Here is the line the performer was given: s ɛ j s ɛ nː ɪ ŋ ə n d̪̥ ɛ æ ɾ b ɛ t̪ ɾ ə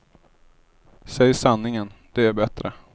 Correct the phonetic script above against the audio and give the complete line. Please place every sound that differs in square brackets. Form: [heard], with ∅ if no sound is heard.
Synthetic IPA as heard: s ɛ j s [a] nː ɪ ŋ ə n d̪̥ ɛ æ ɾ b ɛ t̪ ɾ ə